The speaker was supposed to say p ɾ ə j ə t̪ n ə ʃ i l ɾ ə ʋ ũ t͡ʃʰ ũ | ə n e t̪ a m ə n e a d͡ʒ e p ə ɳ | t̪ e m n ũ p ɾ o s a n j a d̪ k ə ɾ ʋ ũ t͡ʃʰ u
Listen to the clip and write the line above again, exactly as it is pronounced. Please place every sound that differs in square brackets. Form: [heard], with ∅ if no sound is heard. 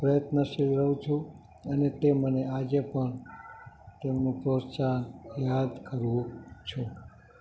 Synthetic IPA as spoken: p ɾ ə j ə t̪ n ə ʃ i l ɾ ə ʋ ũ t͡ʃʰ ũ | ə n e t̪ [e] m ə n e a d͡ʒ e p ə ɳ | t̪ e m n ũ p ɾ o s a n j a d̪ k ə ɾ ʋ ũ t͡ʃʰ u